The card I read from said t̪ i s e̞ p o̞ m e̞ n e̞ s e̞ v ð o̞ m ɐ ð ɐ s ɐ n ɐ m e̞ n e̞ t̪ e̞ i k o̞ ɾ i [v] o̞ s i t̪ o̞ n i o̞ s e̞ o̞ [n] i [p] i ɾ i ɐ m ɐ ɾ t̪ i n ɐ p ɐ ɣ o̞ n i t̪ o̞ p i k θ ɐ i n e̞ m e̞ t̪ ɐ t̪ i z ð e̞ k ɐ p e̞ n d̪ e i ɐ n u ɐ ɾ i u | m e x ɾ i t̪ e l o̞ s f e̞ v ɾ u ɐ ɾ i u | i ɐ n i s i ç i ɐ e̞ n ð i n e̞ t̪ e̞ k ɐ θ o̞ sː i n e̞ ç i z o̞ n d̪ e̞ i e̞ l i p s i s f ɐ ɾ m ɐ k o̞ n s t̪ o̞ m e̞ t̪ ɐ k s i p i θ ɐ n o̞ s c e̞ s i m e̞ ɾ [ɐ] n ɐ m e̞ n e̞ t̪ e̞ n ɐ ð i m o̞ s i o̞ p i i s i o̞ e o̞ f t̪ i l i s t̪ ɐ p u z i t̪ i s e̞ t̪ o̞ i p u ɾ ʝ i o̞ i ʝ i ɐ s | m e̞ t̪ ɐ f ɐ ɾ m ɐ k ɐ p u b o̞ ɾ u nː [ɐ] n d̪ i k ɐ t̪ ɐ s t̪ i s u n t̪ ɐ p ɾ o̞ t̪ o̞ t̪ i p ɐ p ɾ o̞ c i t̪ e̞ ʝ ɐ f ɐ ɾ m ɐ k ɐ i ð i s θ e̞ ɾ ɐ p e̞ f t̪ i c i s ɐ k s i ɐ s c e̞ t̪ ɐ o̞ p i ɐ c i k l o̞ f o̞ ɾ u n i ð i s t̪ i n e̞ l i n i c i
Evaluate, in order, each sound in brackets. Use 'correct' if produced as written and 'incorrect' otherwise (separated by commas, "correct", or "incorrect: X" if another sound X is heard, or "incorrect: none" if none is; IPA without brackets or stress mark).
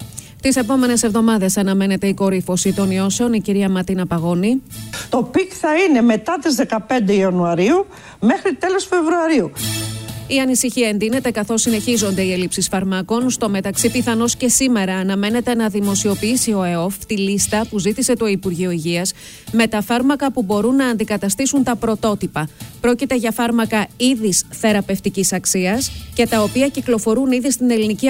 incorrect: f, correct, incorrect: c, incorrect: ɐː, incorrect: ɐː